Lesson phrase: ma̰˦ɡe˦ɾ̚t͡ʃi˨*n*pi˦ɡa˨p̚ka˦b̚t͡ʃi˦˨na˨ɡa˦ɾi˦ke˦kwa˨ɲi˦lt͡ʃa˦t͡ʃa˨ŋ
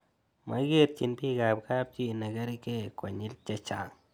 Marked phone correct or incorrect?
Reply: correct